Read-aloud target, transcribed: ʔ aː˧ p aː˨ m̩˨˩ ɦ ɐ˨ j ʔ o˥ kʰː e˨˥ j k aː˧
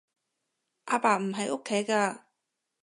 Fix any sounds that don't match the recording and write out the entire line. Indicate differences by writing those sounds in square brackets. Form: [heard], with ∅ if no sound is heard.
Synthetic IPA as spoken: ʔ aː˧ p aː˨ m̩˨˩ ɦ ɐ˨ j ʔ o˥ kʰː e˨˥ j k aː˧